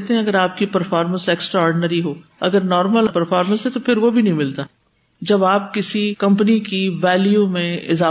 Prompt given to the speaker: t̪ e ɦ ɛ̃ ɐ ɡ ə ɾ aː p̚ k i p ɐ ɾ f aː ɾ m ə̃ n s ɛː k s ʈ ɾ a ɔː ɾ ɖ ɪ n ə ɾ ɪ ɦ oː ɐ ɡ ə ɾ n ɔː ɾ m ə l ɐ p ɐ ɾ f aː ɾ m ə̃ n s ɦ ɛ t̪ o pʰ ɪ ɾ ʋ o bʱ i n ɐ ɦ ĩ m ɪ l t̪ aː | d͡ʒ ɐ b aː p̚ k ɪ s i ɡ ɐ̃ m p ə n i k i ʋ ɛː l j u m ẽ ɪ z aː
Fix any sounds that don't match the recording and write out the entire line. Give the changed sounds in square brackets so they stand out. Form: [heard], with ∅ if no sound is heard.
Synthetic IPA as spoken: t̪ e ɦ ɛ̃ ɐ ɡ ə ɾ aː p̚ k i p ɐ ɾ f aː ɾ m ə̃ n s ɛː k s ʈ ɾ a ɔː ɾ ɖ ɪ n ə ɾ [i] ɦ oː ɐ ɡ ə ɾ n ɔː ɾ m ə l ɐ p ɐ ɾ f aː ɾ m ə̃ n s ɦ ɛ t̪ o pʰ ɪ ɾ ʋ o bʱ i n ɐ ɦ ĩ m ɪ l t̪ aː | d͡ʒ ɐ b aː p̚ k ɪ s i [k] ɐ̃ m p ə n i k i ʋ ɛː l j u m ẽ ɪ z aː